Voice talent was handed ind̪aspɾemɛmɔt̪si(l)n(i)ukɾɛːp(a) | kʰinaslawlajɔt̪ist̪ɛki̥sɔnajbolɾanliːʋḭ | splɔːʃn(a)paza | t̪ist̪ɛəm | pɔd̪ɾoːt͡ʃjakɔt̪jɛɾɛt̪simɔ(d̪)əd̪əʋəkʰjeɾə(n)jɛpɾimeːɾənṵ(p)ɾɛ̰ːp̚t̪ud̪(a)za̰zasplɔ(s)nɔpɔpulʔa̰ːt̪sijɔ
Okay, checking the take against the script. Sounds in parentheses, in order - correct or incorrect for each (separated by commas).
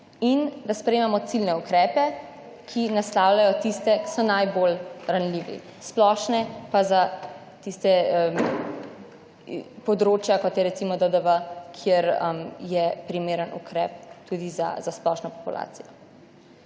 correct, incorrect, incorrect, incorrect, correct, incorrect, incorrect, incorrect, incorrect